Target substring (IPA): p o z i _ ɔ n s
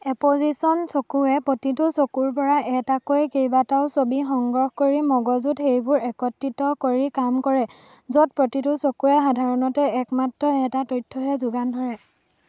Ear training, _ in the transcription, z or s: s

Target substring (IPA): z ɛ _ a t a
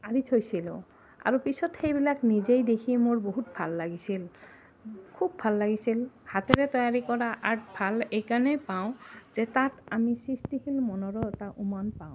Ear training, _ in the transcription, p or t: t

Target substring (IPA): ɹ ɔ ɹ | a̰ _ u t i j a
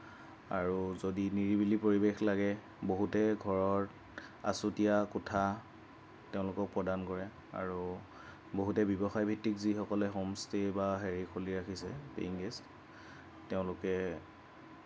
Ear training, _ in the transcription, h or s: s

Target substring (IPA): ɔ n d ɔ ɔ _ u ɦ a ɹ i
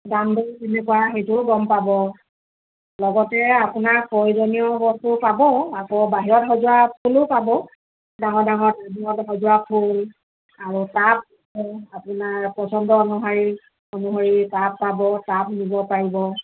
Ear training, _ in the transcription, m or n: n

